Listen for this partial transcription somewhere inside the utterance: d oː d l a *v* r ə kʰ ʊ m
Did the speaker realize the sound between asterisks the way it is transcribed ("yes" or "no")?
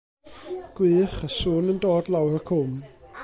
no